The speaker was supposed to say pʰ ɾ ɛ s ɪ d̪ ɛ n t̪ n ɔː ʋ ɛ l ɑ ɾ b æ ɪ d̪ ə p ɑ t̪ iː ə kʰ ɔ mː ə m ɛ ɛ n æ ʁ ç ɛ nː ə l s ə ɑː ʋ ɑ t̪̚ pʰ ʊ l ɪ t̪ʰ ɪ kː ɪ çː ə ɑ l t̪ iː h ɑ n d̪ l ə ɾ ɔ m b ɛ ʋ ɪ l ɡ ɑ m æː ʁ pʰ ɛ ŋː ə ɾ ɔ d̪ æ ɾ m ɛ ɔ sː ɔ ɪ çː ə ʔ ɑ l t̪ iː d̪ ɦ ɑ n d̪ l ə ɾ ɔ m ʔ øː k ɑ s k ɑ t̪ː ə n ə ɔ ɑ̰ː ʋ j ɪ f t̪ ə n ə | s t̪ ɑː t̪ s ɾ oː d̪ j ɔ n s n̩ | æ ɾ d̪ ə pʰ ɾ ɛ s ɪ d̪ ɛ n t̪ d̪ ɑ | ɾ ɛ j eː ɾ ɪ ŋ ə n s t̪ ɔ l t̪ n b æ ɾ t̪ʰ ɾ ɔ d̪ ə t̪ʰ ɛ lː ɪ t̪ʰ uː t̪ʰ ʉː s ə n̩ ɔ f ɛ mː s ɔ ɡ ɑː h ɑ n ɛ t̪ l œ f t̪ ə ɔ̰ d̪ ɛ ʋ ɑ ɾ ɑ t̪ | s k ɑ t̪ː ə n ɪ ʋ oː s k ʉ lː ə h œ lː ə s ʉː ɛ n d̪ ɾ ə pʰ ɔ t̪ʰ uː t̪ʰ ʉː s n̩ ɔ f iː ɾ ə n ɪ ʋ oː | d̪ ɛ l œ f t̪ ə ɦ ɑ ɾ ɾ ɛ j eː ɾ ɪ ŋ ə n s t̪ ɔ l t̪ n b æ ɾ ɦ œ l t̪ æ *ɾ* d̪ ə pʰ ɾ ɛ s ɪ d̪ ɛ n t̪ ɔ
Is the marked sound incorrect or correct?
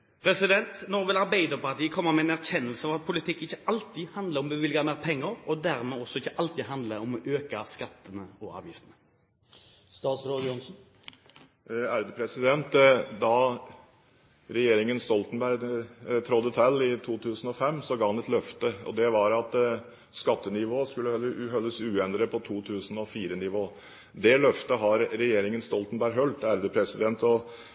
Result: correct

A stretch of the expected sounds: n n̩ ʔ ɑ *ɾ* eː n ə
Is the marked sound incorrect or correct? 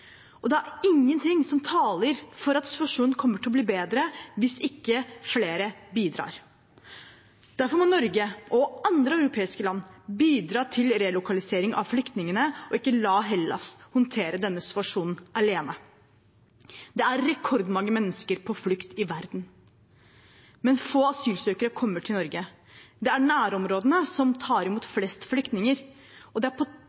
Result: incorrect: l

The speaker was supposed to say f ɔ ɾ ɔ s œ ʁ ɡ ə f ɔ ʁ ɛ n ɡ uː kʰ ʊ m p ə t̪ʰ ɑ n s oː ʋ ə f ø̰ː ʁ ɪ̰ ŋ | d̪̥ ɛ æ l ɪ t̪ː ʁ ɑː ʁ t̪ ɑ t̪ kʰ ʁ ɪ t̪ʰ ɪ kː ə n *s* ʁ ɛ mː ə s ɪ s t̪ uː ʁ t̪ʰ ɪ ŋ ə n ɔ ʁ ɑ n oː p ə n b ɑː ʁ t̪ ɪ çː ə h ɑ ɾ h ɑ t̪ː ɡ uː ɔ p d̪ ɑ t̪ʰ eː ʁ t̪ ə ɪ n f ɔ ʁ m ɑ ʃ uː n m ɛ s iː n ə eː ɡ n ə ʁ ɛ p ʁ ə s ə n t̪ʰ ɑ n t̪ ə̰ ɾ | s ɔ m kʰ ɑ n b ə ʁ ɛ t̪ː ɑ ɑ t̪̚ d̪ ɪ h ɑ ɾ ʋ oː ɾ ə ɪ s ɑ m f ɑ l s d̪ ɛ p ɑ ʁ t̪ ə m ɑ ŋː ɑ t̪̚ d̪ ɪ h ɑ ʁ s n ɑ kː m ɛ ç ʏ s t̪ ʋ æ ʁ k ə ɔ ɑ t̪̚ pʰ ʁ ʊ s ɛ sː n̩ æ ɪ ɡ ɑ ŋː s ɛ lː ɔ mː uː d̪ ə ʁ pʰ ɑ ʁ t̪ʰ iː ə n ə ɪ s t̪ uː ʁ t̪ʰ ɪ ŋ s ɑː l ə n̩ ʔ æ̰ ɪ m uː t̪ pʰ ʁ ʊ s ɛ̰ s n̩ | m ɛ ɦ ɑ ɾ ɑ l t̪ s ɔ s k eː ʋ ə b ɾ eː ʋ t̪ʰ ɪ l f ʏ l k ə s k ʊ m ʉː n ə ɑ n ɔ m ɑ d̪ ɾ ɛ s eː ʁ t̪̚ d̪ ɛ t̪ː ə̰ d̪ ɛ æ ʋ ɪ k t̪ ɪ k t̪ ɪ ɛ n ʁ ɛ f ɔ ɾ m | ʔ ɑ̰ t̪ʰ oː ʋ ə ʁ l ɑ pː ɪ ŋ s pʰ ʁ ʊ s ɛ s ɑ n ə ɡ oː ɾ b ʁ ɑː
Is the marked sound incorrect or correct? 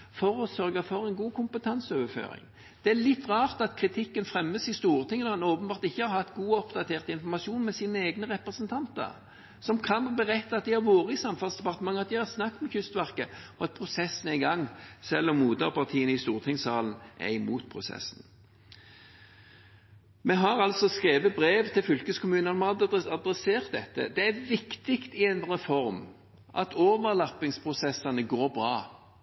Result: incorrect: f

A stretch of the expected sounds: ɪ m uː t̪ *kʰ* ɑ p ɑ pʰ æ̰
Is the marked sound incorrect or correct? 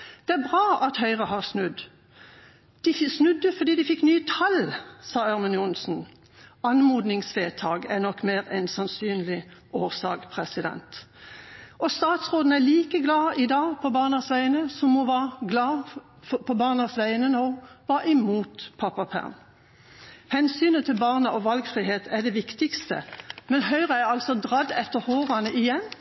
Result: incorrect: pʰ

